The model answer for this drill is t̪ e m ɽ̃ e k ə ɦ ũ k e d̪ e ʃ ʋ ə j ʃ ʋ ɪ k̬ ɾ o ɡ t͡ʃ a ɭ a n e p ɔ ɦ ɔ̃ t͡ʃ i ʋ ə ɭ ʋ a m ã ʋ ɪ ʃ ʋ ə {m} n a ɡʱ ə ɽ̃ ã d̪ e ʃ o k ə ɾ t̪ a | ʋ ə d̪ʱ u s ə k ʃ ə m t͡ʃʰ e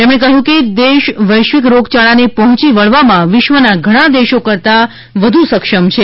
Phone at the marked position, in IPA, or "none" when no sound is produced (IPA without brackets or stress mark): none